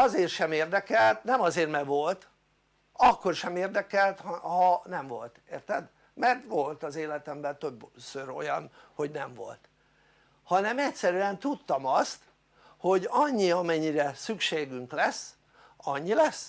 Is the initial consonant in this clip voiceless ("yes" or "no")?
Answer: no